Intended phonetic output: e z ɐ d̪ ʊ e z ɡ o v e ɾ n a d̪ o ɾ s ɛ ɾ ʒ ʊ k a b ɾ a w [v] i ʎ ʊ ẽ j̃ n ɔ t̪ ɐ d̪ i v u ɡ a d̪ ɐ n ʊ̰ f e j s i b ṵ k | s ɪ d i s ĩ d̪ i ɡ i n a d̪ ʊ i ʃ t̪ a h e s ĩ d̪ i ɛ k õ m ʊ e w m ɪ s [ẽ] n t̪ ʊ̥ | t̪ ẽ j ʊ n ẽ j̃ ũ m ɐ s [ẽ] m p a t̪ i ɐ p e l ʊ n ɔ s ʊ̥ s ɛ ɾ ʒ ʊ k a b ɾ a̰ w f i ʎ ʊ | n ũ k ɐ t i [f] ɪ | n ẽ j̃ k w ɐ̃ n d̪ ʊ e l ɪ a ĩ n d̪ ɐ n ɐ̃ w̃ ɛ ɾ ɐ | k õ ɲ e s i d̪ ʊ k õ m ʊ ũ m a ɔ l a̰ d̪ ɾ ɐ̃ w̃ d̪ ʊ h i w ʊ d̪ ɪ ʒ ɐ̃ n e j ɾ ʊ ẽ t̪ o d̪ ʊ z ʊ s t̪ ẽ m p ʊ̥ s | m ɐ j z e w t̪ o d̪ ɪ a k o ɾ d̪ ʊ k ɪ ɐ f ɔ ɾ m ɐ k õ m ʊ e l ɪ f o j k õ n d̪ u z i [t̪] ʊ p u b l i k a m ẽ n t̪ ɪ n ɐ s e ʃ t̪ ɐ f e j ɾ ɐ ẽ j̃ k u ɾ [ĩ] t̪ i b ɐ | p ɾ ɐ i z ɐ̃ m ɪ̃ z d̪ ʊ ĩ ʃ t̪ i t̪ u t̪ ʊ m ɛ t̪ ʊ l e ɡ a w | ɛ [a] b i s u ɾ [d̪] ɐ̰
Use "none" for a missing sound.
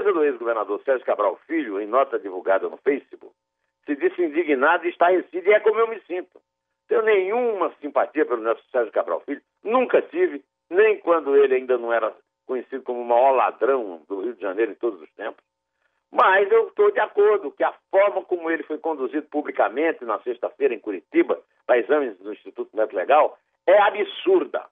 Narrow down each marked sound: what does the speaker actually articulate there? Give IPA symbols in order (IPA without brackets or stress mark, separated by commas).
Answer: f, ĩ, ĩ, v, d̪, i, a, d̪